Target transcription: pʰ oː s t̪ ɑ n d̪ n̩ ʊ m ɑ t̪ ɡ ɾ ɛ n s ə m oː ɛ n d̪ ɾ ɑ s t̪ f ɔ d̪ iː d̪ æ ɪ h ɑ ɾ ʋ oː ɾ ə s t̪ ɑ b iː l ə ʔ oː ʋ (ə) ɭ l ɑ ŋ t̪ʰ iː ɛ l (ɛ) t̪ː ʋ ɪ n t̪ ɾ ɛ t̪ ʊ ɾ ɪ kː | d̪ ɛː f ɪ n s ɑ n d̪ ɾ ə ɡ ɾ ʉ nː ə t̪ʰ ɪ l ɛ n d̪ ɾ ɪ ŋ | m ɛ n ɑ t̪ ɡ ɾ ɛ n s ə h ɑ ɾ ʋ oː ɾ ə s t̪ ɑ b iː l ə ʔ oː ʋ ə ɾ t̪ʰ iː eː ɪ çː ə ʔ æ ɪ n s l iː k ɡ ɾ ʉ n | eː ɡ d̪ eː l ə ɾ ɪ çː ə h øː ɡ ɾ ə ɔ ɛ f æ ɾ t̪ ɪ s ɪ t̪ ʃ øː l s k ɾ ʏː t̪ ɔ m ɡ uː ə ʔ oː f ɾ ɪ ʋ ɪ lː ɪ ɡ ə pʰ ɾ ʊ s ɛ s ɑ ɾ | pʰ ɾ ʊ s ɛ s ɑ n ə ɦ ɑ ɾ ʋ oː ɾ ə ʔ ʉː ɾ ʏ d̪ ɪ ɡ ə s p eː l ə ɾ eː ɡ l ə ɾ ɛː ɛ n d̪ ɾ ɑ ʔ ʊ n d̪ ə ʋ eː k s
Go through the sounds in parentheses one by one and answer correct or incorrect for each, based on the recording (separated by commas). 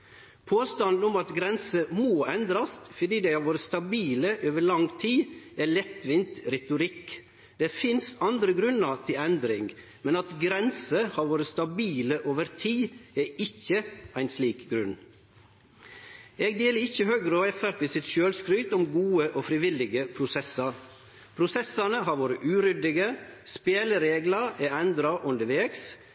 correct, correct